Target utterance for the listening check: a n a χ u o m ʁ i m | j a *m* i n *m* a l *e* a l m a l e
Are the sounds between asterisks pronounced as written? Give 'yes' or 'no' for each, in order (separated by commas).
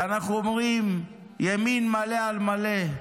yes, yes, yes